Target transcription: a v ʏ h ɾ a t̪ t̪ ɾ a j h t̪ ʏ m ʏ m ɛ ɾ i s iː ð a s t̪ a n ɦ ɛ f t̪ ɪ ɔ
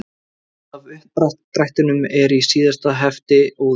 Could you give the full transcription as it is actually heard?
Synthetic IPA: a v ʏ h ɾ a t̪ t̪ ɾ a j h t̪ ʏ n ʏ m ɛ ɾ i s iː ð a s t̪ a ɦ ɛ f t̪ ɪ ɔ